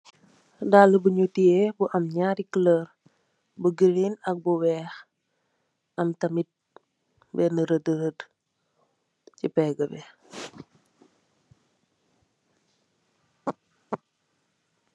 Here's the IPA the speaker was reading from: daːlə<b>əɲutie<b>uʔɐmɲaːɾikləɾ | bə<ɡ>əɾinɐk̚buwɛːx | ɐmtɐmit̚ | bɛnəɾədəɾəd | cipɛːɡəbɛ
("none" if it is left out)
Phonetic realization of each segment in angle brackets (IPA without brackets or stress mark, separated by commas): b, b, ɡ